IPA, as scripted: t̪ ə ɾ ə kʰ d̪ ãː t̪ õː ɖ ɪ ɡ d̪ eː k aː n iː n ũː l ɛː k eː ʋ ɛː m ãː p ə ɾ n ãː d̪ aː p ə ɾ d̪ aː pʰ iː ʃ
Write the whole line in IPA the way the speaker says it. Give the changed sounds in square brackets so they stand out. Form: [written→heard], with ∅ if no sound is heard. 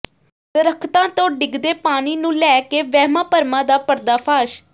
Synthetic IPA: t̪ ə ɾ ə kʰ [d̪→t̪] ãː t̪ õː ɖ ɪ ɡ d̪ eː [k→p] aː n iː n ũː l ɛː k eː ʋ ɛː m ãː p ə ɾ [n→m] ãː d̪ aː p ə ɾ d̪ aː pʰ [iː→aː] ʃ